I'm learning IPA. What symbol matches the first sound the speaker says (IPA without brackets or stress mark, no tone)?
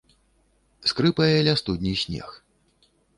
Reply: s